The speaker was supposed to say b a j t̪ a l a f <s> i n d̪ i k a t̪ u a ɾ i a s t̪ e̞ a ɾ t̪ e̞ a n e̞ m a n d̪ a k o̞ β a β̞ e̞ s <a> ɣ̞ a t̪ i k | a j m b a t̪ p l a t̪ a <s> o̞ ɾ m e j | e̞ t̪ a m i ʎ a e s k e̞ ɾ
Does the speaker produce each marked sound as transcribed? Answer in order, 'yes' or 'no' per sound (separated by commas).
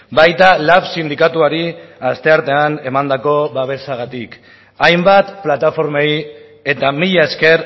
yes, yes, no